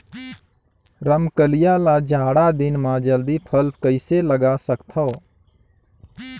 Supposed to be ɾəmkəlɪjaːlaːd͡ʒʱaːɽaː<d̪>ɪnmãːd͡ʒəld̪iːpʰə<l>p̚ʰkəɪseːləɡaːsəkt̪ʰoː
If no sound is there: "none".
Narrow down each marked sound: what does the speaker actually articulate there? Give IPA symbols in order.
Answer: d̪, l

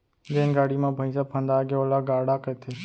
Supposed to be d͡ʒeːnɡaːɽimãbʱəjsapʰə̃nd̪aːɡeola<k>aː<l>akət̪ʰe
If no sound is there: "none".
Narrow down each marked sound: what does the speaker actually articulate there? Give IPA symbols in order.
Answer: ɡ, ɽ

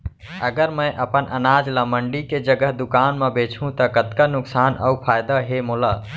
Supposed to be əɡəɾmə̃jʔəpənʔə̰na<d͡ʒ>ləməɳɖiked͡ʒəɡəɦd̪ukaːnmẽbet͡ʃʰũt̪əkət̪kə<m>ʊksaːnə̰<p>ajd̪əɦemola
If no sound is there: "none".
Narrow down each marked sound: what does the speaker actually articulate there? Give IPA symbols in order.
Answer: d͡ʒ, n, pʰ

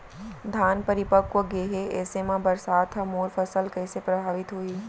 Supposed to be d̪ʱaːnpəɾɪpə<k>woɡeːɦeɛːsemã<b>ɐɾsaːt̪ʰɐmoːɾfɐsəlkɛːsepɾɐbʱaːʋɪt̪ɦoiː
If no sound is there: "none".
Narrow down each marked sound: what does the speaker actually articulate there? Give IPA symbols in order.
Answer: k, b

